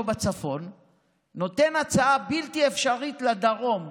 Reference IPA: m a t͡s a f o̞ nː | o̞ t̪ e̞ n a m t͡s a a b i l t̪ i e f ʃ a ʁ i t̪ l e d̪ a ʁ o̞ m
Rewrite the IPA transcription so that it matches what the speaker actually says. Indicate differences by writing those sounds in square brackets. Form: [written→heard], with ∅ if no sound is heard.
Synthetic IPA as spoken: [m→b] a t͡s a f o̞ nː | o̞ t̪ e̞ n a [m→∅] t͡s a a b i l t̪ i e f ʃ a ʁ i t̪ l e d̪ a ʁ o̞ m

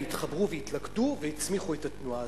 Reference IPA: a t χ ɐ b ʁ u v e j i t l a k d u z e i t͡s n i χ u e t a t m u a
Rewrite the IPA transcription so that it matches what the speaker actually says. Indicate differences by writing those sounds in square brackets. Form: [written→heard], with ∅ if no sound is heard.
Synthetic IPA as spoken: [a→i] t χ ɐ b ʁ u v e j i t l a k d u [z→v] e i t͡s [n→m] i χ u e t a t [m→n] u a

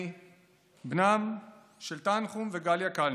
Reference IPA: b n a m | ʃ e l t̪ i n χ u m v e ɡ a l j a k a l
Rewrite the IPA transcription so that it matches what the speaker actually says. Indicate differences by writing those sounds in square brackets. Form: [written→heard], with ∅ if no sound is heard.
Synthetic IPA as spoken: b n a m | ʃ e l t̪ [i→a] n χ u m v e ɡ a l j a k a l

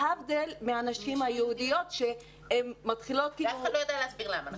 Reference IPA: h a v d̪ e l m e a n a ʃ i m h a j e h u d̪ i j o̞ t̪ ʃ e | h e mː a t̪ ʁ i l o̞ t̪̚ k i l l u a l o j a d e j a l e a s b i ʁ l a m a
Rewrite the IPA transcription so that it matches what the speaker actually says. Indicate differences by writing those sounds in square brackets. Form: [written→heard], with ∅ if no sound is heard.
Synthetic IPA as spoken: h a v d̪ e l m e a n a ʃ i m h a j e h u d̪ i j o̞ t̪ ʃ e | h e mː a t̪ [ʁ→χ] i l o̞ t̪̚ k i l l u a l o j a d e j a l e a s b i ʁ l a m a

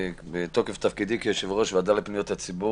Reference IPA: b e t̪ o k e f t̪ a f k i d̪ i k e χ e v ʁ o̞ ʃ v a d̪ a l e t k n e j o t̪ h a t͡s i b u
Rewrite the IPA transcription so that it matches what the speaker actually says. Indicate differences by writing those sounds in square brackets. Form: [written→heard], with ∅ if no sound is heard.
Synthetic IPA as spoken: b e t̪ o k e f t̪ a f k i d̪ i k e [χ→ʃ] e v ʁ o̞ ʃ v a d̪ a l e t [k→p] n [e→i] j o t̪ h a t͡s i b u

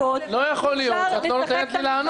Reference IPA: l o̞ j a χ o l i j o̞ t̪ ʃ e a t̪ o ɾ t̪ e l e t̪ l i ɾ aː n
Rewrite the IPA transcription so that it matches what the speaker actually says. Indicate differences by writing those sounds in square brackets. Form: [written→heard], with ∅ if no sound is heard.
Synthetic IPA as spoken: l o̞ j a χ o l i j o̞ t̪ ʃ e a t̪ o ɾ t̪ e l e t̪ l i [ɾ→l] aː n

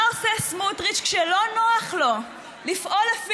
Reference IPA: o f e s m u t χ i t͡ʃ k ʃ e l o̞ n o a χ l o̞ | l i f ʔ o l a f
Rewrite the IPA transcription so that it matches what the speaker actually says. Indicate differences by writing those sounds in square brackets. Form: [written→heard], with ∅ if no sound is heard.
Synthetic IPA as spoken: o [f→s] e s m u t [χ→ʁ] i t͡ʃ k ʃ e l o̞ n o a χ l o̞ | l i f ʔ o l a f

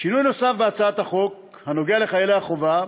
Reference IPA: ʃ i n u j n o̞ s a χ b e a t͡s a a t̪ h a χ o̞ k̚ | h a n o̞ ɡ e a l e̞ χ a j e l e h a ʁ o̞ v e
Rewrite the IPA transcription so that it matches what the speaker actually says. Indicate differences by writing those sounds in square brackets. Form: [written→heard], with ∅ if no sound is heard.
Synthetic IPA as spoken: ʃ i n u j n o̞ s a [χ→f] b e a t͡s a a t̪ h a χ o̞ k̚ | h a n o̞ ɡ e a l e̞ χ a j e l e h a [ʁ→χ] o̞ v [e→a]

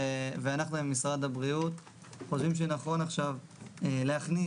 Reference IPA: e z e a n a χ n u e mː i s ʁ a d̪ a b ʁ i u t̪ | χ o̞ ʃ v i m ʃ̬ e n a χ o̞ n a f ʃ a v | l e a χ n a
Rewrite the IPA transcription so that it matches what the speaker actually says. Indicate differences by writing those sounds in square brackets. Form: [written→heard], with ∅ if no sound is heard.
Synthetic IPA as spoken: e [z→v] e a n a χ n u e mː i s ʁ a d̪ a b ʁ i u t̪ | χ o̞ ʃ v i m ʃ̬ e n a χ o̞ n a [f→χ] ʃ a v | l e a χ n [a→i]

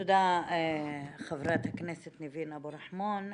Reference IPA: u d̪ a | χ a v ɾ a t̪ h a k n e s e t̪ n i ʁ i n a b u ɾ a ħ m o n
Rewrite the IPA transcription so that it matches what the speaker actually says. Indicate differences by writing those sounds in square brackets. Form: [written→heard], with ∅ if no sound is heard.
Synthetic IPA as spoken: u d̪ a | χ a v ɾ a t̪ h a k n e s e t̪ n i [ʁ→v] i n a b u ɾ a ħ m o n

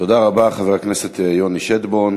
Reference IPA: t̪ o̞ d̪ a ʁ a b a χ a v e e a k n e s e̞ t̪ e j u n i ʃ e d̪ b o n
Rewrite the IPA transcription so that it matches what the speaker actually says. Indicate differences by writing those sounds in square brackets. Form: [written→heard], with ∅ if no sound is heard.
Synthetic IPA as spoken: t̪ o̞ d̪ a ʁ a b a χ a v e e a k n e s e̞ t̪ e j [u→o] n i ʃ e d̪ b o n

